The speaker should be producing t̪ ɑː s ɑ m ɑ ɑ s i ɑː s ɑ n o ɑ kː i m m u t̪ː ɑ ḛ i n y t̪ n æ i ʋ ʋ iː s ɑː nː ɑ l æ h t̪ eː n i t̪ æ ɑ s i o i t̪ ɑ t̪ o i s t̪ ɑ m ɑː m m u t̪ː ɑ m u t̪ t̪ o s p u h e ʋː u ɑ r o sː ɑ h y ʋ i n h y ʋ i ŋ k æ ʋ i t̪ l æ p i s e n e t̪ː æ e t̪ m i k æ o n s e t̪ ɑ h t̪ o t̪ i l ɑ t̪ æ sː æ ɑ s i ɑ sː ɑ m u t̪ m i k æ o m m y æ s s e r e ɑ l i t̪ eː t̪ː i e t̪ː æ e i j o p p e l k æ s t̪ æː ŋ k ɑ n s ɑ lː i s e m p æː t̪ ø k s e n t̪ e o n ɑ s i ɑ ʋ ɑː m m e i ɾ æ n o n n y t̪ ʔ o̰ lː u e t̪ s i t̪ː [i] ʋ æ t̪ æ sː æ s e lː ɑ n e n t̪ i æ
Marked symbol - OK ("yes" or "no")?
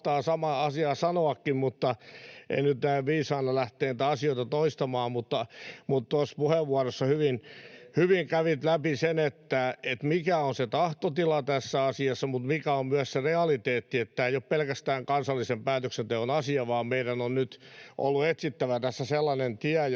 no